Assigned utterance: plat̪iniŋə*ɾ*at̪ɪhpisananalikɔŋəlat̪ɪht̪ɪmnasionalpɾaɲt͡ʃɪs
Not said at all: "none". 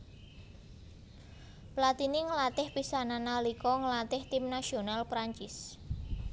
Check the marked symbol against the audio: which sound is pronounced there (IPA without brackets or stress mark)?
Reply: l